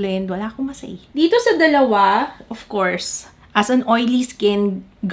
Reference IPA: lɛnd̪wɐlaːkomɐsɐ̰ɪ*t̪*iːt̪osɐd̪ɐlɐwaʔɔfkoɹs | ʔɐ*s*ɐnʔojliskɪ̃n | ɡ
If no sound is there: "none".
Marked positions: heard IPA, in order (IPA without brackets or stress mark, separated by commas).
d̪, s